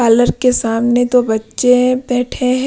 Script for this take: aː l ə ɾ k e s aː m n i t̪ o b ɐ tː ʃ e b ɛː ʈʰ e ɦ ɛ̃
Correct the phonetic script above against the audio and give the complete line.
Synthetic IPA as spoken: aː l ə ɾ k e s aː m n e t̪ o b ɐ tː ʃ e b ɛː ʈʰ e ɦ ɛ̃